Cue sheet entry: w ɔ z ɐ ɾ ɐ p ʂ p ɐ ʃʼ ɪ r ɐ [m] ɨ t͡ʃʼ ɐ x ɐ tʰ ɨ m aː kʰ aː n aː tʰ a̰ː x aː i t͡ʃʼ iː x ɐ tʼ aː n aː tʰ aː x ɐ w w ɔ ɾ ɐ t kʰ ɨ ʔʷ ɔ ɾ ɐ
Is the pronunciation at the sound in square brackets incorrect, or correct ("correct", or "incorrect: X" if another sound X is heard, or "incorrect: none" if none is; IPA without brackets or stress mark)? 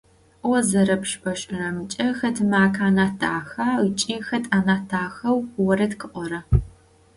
correct